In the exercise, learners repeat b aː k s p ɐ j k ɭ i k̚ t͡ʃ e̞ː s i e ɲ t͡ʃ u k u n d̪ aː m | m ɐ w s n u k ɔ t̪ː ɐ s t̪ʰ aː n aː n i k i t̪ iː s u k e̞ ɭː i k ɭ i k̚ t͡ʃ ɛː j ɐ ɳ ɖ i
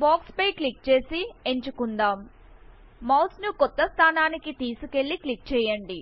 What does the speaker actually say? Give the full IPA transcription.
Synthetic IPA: b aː k s p ɐ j k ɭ i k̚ t͡ʃ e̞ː s i e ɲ t͡ʃ u k u n d̪ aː m | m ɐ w s n u k ɔ t̪ː ɐ s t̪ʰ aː n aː n i k i t̪ iː s u k e̞ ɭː i k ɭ i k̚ t͡ʃ ɛː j ɐ ɳ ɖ i